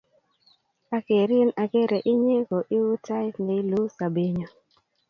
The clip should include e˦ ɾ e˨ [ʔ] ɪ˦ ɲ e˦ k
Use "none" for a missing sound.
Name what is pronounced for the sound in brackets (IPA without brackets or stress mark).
ʔ